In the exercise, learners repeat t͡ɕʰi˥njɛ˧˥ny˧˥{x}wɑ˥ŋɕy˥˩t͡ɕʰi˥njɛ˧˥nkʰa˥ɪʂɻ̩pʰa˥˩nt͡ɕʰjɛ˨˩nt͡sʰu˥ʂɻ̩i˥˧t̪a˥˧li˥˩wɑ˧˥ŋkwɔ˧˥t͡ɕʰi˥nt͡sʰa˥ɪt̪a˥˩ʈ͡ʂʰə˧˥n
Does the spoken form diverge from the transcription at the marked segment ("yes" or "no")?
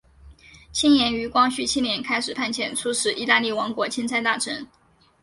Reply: yes